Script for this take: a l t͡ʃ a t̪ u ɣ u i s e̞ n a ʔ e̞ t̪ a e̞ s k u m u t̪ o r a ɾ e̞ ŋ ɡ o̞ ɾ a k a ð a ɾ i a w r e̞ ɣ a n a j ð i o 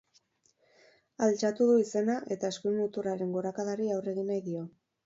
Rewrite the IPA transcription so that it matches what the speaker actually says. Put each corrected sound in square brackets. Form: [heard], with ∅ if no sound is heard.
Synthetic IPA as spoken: a l t͡ʃ a t̪ u [ð] u i s e̞ n a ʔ e̞ t̪ a e̞ s k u m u t̪ [u] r a ɾ e̞ ŋ ɡ o̞ ɾ a k a ð a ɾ i a w r e̞ ɣ [i] n a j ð i o